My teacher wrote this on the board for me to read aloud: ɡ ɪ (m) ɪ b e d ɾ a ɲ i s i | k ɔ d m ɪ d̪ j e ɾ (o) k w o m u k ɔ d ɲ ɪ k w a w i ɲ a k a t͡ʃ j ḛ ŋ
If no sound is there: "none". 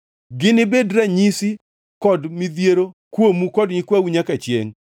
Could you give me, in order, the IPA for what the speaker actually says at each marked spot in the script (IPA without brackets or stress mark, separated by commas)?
n, o